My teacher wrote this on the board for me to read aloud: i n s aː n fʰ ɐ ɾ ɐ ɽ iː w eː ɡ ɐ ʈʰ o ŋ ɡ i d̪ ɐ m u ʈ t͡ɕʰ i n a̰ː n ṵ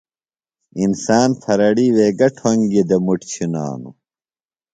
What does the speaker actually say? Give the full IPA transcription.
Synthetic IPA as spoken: i n s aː n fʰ ɐ ɾ ɐ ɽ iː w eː ɡ ɐ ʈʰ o ŋ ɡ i d̪ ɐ m u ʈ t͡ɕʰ i n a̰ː n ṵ